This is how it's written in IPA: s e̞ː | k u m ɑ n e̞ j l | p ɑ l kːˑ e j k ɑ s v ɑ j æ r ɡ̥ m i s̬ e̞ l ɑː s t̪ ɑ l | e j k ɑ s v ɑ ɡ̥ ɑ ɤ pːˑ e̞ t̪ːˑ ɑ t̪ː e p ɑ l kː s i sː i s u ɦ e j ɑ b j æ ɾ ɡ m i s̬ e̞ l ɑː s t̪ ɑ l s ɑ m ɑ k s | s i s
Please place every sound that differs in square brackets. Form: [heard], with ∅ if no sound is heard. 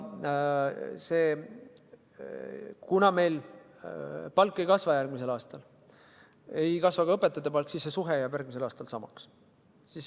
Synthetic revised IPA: s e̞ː | k u [n] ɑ [m] e̞ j l | p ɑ l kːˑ e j k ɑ s v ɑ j æ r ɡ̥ m i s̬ e̞ l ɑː s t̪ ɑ l | e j k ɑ s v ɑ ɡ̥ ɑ ɤ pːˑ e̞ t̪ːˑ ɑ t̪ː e p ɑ l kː s i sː [e] s u ɦ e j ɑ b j æ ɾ ɡ m i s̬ e̞ l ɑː s t̪ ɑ l s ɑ m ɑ k s | s i s

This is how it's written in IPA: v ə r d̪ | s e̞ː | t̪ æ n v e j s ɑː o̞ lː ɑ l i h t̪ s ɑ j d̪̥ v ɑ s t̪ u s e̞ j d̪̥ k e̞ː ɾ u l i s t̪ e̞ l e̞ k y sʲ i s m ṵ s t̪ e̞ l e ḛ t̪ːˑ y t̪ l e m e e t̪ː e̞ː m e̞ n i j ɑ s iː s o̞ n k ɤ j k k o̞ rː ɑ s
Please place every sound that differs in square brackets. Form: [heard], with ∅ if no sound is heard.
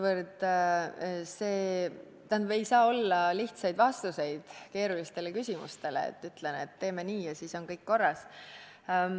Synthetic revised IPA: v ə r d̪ | s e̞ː | t̪ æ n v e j s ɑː o̞ lː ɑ l i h t̪ s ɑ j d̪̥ v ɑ s t̪ u s e̞ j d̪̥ k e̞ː ɾ u l i s t̪ e̞ l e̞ k y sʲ i [∅] m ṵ s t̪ e̞ l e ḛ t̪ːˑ y t̪ l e [n] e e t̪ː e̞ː m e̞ n [iː] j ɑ s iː s o̞ n k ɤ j k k o̞ rː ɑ s

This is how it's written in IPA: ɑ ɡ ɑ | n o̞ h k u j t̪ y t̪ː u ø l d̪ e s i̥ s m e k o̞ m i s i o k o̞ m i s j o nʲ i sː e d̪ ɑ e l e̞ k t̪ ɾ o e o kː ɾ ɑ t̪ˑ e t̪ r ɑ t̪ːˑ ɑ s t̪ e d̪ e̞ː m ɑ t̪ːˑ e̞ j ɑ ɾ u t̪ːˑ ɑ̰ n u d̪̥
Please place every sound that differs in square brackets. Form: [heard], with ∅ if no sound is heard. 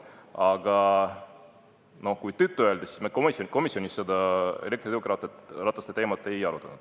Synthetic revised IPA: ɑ ɡ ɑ | n o̞ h k u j t̪ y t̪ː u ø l d̪ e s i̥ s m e k o̞ m i s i o k o̞ m i s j o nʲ i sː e d̪ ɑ e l e̞ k t̪ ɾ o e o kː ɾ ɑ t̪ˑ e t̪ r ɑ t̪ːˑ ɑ s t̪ e [t̪] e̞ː m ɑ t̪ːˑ e̞ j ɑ ɾ u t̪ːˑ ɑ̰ n u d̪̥

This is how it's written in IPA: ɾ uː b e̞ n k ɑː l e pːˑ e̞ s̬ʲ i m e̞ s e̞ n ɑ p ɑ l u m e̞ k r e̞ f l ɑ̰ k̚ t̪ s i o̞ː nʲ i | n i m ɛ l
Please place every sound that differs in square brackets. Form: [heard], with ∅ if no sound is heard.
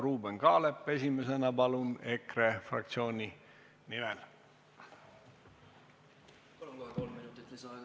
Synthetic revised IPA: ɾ uː b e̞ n k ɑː l e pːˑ e̞ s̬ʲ i m e̞ s e̞ n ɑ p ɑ l u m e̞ k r e̞ f [r] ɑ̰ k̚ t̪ s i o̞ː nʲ i | n i m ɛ l

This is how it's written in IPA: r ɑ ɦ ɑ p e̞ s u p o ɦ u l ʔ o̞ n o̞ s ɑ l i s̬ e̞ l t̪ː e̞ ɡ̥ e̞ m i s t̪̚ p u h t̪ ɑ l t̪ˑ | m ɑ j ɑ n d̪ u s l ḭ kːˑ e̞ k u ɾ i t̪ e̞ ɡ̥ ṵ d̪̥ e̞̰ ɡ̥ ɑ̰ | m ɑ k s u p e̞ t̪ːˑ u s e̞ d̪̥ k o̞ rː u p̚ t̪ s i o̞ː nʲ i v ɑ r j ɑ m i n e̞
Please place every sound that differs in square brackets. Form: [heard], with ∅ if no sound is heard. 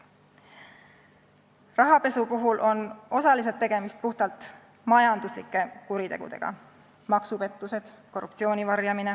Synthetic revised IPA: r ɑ ɦ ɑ p e̞ s u p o ɦ u l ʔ o̞ n o̞ s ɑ l i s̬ e̞ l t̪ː e̞ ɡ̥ e̞ m i s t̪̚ p u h t̪ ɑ l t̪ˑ | m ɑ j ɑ n d̪ u s l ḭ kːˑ e̞ k u ɾ i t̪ e̞ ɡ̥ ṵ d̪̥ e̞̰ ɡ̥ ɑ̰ | m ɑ k s u p e̞ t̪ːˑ u s e̞ d̪̥ k o̞ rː u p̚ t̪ s i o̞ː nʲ i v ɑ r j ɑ m i n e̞

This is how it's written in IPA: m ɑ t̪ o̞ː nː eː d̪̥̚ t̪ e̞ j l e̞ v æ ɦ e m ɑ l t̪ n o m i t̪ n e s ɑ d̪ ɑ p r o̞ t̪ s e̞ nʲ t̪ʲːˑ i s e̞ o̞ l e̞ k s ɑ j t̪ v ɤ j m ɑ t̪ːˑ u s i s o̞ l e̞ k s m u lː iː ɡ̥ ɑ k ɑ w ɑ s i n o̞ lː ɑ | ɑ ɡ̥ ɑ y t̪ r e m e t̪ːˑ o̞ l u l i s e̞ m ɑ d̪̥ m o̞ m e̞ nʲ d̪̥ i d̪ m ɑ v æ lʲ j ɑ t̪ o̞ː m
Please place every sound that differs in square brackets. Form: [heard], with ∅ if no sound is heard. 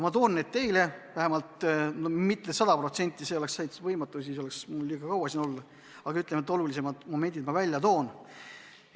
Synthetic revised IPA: m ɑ t̪ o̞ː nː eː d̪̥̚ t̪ e̞ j l e̞ v æ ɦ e m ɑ l t̪ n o m i t̪ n e s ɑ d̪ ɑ p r o̞ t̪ s e̞ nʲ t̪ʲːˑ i s e̞ o̞ l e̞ k s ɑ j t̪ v ɤ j m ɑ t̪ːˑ u s i s o̞ l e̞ k s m u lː iː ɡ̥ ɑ k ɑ w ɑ s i n o̞ lː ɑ | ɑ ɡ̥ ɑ y t̪ [l] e m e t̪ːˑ o̞ l u l i s e̞ m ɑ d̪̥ m o̞ m e̞ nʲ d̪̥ i d̪ m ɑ v æ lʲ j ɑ t̪ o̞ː [n]

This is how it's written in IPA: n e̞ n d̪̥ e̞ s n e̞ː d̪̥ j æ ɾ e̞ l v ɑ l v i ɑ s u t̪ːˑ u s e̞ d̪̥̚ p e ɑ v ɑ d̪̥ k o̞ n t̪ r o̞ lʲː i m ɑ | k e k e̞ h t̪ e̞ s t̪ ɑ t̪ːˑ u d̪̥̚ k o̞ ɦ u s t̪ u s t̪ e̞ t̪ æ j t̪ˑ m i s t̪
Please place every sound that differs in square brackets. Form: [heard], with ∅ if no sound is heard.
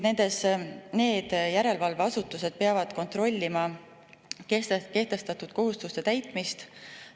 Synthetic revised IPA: n e̞ n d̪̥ e̞ s n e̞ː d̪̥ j æ ɾ e̞ l v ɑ l v [e] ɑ s u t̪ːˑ u s e̞ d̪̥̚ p e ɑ v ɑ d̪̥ k o̞ n t̪ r o̞ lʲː i m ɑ | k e k e̞ h t̪ e̞ s t̪ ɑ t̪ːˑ u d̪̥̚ k o̞ ɦ u s t̪ u s t̪ e̞ t̪ æ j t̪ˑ m i s t̪

